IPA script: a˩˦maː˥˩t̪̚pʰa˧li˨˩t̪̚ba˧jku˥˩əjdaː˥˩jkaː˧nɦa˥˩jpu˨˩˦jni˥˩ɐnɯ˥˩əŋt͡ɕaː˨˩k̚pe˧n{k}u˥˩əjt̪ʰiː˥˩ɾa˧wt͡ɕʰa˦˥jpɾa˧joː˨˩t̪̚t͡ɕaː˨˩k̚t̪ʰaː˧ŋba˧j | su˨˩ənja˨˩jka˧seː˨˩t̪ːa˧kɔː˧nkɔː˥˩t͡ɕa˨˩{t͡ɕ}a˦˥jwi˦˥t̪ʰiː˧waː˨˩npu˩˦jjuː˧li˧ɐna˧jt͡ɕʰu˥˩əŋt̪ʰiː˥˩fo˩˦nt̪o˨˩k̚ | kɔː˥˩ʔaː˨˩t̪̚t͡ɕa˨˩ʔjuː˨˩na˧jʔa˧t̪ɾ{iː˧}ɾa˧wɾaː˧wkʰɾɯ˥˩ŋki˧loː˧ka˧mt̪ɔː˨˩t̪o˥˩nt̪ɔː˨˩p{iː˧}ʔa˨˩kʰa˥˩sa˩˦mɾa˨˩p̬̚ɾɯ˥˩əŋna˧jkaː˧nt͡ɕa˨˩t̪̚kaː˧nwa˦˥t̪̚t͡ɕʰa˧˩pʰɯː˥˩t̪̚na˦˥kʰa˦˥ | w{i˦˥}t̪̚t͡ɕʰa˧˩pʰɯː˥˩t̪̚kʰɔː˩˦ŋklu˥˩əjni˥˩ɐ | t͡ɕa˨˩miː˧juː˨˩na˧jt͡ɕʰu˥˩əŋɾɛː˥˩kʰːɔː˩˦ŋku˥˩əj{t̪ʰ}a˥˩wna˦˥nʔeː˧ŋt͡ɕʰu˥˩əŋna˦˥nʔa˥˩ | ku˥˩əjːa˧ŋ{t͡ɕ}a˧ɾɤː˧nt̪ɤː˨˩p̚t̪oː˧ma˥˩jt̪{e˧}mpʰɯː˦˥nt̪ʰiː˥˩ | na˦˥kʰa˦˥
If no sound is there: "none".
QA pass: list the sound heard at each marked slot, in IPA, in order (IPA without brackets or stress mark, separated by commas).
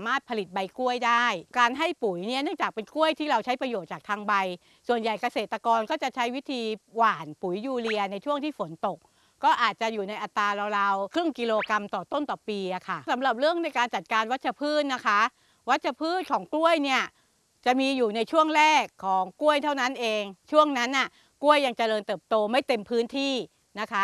k, t͡ɕʰ, aː˧, iː˧, a˦˥, t̪ʰ, t͡ɕ, e˧